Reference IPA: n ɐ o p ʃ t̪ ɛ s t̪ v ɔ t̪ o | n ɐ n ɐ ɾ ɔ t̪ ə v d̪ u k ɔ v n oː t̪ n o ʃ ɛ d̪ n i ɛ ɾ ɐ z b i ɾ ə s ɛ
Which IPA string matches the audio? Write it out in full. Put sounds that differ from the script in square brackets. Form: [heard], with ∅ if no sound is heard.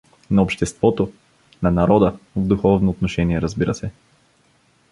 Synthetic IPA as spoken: n ɐ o p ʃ t̪ ɛ s t̪ v ɔ t̪ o | n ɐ n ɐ ɾ ɔ [d̪] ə v d̪ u [x] ɔ v n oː t̪ n o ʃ ɛ [∅] n i ɛ ɾ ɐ z b i ɾ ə s ɛ

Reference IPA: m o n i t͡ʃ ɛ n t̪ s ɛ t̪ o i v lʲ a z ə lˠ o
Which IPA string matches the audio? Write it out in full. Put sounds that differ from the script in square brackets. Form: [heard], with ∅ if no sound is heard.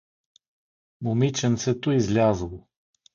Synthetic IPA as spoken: m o [m] i t͡ʃ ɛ n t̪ s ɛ t̪ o i [z] lʲ a z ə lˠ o

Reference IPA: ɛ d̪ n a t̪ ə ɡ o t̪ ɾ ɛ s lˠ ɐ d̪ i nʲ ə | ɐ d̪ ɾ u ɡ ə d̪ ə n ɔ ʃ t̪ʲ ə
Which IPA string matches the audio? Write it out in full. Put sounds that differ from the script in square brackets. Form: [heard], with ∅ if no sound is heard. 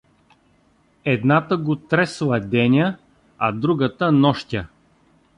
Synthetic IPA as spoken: ɛ d̪ n a t̪ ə ɡ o t̪ ɾ ɛ s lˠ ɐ d̪ [ɛ] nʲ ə | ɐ d̪ ɾ u ɡ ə [t̪] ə n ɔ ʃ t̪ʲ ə

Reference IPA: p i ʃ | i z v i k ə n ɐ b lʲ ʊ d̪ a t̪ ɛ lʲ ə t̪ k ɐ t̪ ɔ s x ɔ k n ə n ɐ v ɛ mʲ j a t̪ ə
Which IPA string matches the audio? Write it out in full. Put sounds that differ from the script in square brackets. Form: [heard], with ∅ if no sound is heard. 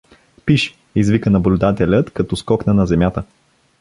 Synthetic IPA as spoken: p i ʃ | i z v i k ə n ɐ b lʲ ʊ d̪ a t̪ ɛ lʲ ə t̪ k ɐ t̪ ɔ s [k] ɔ k n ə n ɐ [z] ɛ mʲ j a t̪ ə

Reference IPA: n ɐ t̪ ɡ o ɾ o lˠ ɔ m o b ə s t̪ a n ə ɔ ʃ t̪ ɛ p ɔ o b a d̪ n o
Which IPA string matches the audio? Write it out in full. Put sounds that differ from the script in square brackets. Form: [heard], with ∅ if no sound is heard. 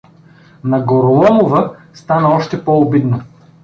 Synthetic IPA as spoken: n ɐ [∅] ɡ o ɾ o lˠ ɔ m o [v] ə s t̪ a n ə ɔ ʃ t̪ ɛ p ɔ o b [i] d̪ n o

